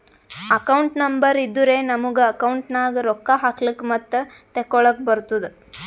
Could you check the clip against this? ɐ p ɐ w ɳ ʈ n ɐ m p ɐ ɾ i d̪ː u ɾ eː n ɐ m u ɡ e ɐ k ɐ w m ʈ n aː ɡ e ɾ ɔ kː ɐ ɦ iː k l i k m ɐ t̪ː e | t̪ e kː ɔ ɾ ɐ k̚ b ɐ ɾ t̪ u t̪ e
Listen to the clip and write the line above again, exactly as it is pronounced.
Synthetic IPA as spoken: ɐ k ɐ w ɳ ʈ n ɐ m b ɐ ɾ i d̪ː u ɾ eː n ɐ m u ɡ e ɐ k ɐ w ɳ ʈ n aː ɡ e ɾ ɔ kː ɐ ɦ aː k l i k m ɐ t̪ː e | t̪ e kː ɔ ɭ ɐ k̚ b ɐ ɾ t̪ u d̪ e